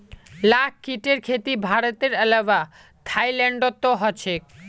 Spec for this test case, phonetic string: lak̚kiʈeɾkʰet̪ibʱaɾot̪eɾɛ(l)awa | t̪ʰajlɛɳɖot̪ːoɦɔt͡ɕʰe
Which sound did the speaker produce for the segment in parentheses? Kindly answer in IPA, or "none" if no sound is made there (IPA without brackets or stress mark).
l